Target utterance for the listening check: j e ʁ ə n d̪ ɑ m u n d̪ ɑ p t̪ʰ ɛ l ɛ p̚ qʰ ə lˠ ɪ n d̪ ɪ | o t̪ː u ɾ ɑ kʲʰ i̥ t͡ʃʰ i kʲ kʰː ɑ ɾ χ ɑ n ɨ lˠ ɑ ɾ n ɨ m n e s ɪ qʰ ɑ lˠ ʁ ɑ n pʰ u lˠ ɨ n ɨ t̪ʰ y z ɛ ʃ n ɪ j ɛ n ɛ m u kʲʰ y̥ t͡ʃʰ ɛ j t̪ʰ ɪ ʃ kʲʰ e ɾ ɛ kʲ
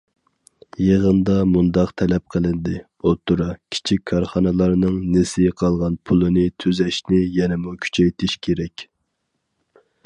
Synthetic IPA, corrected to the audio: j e ʁ ə n d̪ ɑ m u n d̪ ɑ q t̪ʰ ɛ l ɛ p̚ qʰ ə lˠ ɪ n d̪ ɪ | o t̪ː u ɾ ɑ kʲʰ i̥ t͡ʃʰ i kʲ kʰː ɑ ɾ χ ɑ n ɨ lˠ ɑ ɾ n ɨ ŋ n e s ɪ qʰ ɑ lˠ ʁ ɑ n pʰ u lˠ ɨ n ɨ t̪ʰ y z ɛ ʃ n ɪ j ɛ n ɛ m u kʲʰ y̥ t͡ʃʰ ɛ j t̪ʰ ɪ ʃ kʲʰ e ɾ ɛ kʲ